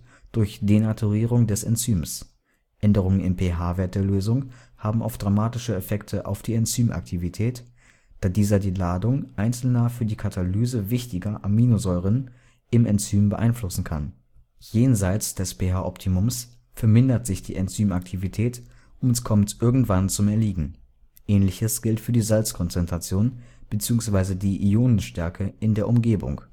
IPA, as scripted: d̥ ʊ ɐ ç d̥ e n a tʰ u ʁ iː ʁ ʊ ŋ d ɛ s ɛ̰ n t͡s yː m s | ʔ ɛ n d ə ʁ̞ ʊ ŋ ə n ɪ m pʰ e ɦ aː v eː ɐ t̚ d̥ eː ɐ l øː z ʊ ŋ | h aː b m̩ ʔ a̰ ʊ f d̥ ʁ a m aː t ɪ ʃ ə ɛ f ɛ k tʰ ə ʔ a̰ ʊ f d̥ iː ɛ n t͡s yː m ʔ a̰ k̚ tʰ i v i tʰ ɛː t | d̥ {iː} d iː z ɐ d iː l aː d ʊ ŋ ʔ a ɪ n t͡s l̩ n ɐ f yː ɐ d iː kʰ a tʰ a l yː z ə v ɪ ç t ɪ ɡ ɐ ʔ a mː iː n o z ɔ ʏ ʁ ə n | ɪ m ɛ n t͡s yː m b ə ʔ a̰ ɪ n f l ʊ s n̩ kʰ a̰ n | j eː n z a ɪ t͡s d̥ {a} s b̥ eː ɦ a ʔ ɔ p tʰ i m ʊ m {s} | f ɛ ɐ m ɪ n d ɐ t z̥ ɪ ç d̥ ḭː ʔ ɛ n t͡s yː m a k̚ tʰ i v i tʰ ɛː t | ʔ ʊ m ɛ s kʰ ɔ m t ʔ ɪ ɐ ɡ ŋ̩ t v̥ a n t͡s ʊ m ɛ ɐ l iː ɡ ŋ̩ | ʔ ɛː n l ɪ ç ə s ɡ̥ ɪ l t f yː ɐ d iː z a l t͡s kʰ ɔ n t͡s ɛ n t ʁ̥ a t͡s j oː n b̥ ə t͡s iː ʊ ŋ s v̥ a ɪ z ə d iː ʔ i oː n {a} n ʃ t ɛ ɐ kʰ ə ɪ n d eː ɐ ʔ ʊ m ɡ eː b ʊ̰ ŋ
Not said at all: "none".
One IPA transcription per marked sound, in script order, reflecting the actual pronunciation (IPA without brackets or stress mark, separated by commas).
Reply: aː, ɛ, s, ə